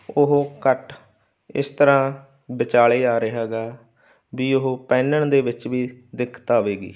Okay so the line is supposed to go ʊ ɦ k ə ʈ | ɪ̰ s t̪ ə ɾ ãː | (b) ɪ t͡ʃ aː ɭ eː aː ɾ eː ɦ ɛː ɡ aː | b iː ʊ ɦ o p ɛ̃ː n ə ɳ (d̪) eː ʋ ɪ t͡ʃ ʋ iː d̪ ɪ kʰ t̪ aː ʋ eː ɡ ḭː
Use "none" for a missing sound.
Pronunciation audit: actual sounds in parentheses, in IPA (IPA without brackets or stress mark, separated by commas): b, d̪